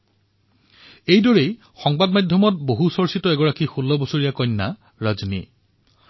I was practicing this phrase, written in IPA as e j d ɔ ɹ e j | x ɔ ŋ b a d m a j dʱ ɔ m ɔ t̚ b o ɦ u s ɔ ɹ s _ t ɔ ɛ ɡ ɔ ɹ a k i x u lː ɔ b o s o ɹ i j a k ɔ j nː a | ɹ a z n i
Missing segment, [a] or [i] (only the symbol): i